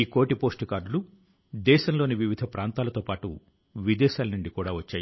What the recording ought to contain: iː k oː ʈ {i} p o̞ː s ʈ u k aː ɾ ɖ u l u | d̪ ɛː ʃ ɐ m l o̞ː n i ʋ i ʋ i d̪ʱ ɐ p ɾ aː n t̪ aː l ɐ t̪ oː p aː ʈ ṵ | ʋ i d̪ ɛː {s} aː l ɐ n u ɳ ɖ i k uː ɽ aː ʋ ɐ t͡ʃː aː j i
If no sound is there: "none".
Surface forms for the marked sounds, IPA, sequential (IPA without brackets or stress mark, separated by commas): i, ʃ